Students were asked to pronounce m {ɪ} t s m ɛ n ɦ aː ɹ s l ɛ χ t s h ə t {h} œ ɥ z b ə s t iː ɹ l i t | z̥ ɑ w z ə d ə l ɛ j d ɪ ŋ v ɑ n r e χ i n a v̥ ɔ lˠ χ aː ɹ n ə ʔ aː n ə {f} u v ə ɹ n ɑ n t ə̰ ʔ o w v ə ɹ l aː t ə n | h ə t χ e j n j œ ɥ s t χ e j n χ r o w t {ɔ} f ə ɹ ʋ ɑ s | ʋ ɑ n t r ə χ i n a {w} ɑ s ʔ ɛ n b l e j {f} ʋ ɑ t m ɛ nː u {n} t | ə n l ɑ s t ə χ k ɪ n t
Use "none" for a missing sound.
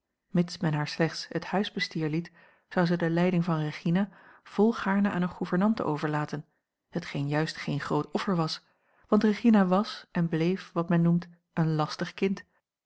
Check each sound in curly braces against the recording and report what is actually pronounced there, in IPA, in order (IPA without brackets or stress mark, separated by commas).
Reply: ɪ, h, χ, ɔ, ʋ, f, m